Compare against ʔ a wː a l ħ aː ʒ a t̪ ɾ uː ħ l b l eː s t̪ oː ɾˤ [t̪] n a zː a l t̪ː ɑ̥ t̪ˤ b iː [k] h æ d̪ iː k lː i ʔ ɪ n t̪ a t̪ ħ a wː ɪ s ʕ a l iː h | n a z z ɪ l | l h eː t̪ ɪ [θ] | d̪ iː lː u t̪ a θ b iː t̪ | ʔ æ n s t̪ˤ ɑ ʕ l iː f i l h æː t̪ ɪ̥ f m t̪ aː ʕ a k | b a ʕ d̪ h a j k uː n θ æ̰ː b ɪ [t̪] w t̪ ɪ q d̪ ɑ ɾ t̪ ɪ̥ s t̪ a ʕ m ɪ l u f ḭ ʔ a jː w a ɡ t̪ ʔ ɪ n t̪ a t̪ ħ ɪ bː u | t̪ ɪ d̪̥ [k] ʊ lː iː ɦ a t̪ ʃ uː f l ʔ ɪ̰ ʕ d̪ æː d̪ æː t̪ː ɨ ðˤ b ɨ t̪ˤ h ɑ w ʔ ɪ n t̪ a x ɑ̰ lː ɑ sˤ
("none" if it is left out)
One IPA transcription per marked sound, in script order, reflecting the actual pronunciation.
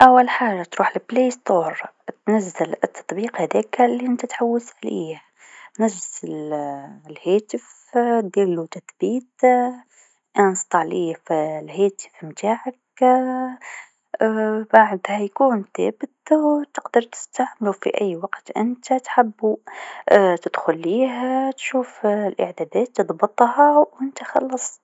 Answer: t̪, q, f, t̪, x

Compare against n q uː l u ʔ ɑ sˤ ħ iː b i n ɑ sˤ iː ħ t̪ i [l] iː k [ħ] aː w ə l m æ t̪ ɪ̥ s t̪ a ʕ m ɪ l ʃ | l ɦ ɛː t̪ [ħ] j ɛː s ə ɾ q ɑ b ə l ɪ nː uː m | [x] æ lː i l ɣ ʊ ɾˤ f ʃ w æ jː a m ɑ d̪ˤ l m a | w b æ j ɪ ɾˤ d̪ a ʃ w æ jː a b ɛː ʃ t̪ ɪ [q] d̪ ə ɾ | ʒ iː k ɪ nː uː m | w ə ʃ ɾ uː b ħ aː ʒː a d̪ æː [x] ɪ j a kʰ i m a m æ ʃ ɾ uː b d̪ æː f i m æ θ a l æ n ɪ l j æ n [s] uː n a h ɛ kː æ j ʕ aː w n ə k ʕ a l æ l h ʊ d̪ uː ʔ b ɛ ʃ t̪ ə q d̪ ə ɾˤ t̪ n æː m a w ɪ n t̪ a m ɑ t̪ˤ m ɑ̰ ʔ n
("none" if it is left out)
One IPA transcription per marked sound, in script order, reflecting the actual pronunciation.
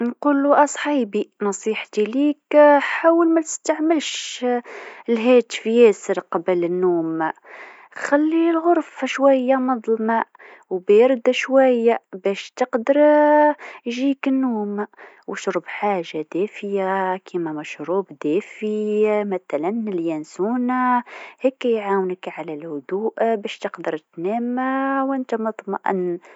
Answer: l, ħ, f, x, q, f, s

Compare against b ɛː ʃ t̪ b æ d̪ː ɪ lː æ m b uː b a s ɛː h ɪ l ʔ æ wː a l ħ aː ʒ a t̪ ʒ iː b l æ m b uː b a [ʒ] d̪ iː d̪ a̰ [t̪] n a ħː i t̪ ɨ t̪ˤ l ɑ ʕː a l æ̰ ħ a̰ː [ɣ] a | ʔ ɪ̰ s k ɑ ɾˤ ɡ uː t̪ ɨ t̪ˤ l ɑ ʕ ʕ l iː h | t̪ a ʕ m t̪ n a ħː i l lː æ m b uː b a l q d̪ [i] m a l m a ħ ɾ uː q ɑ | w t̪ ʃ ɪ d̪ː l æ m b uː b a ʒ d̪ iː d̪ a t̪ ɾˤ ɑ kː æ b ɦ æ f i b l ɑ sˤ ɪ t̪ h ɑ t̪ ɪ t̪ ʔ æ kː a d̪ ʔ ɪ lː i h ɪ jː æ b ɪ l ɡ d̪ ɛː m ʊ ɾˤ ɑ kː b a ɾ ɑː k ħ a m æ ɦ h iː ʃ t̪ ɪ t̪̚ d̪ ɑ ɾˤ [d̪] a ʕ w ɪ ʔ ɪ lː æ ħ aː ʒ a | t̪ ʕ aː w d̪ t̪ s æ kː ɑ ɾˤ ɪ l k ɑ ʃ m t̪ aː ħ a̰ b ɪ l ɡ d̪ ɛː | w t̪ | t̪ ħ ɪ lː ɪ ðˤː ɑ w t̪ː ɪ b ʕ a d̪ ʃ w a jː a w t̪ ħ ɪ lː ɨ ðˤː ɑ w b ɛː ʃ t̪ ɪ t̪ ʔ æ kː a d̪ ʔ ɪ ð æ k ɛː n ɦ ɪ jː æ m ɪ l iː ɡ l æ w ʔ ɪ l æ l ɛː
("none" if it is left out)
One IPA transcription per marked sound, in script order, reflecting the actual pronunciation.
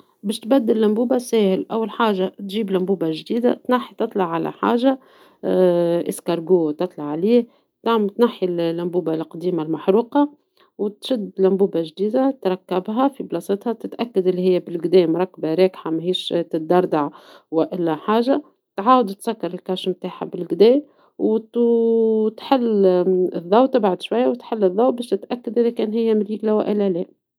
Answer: ʒ, t̪, ʒ, iː, d̪

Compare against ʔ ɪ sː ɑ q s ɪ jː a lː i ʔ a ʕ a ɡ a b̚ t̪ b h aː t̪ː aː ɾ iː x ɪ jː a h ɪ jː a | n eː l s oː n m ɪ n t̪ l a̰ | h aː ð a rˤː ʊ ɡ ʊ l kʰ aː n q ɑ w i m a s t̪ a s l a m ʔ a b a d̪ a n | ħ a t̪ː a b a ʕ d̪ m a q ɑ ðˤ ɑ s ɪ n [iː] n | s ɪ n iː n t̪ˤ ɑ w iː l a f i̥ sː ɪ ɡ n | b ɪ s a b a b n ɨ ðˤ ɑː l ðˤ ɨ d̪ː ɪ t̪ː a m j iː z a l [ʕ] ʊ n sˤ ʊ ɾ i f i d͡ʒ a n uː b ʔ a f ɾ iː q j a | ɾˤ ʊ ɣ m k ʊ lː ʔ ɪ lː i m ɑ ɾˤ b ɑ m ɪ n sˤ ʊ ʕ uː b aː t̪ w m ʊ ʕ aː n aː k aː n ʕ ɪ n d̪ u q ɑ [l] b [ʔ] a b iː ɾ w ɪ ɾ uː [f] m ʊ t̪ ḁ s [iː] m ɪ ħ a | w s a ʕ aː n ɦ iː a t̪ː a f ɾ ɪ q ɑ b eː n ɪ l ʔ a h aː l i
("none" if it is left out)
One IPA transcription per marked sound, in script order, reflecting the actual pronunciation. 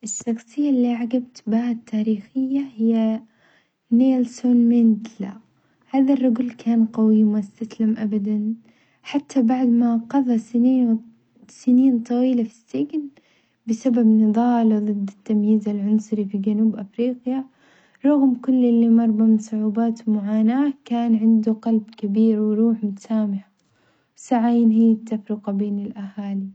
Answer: iː, ʕ, l, k, ħ, aː

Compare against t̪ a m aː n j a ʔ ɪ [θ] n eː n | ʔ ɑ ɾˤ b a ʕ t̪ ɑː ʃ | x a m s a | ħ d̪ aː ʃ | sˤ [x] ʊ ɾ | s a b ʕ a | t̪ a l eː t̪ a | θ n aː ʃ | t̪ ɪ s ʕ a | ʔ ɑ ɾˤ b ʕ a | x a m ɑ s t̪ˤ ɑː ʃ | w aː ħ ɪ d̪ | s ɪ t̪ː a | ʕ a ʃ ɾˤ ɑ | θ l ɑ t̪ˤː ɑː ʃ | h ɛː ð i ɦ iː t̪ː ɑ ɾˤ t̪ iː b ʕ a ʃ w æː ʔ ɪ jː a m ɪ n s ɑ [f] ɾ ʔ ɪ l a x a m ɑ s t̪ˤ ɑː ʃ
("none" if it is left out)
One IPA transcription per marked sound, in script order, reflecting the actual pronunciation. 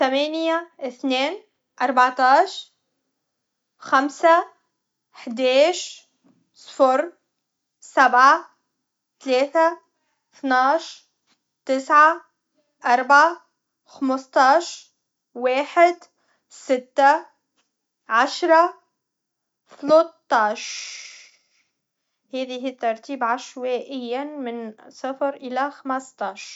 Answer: θ, f, f

